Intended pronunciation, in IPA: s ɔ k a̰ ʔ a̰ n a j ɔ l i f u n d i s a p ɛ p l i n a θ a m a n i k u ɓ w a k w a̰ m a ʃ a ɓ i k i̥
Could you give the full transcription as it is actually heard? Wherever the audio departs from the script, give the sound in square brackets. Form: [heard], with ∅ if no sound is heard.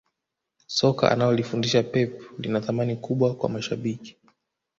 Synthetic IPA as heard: s ɔ k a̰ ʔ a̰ n a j ɔ l i f u n d i [ʃ] a p ɛ p l i n a θ a m a n i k u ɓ w a k w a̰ m a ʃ a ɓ i k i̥